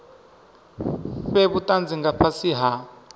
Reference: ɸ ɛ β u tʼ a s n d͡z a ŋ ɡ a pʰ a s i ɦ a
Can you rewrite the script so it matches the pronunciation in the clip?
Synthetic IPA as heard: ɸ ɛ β u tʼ a n d͡z i ŋ ɡ a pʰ a s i ɦ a

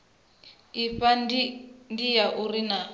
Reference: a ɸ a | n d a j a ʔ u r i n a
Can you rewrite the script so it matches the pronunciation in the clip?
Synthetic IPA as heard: i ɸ a | n d i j a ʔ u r i n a

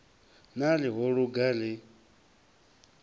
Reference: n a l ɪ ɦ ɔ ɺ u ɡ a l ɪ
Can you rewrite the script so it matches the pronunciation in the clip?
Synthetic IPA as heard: n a l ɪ ɦ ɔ ɺ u ɡ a l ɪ

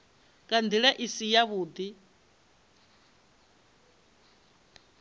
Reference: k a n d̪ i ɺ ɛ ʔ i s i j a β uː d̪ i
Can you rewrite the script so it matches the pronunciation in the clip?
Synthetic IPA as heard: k a n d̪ i ɺ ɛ ʔ i s i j a β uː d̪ i

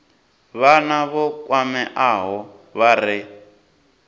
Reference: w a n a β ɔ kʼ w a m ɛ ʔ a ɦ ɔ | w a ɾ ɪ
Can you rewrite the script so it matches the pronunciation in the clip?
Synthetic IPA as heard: β a n a β ɔ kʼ w a m ɛ ʔ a ɦ ɔ | β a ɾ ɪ

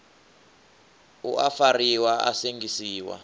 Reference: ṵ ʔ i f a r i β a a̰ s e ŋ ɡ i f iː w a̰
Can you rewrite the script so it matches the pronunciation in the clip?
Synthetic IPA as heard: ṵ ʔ a f a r i w a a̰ s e ŋ ɡ i s iː w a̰

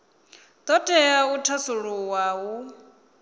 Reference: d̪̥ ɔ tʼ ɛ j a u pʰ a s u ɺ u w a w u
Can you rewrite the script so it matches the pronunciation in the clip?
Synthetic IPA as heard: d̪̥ ɔ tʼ ɛ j a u tʰ a s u ɺ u w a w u

